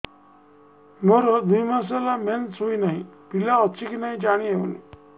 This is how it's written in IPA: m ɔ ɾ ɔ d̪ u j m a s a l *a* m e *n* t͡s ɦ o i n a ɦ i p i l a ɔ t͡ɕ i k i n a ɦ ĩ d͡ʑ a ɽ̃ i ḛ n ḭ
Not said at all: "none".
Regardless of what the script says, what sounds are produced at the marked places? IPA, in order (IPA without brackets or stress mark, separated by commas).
a, n